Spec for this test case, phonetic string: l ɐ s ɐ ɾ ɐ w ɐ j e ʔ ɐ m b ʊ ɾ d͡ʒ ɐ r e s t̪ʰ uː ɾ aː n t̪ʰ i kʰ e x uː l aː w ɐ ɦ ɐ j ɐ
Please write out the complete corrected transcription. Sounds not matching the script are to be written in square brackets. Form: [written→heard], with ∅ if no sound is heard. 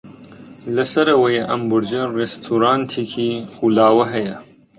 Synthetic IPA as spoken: l ɐ s ɐ ɾ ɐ w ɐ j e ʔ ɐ m b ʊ ɾ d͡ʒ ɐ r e s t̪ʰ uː ɾ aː n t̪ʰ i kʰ [e→i] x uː l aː w ɐ ɦ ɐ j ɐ